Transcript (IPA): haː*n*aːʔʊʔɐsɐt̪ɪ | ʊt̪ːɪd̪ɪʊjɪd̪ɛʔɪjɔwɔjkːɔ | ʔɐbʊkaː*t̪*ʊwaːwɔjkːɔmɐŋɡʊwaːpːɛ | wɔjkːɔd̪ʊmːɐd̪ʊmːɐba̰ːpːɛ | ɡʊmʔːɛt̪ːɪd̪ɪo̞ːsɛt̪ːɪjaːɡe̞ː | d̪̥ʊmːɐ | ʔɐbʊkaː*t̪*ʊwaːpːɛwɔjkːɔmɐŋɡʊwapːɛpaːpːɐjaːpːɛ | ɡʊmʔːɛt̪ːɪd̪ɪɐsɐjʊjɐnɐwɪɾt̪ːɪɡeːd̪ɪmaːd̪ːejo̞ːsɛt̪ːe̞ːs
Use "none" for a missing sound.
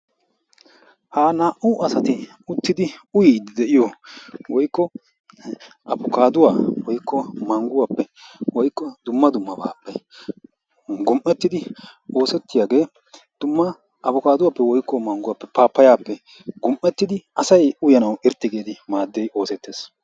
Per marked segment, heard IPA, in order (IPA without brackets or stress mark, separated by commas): n, d̪, d̪